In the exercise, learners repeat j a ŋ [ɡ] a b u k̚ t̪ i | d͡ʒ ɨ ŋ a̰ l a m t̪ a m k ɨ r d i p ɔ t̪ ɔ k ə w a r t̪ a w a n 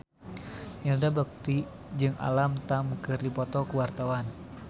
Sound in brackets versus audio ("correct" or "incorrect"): incorrect